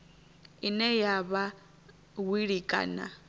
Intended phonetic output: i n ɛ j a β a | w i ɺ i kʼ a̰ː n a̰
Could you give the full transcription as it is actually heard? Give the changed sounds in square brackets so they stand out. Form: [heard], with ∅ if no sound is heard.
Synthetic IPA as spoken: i n ɛ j a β a | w i ɺ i kʼ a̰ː n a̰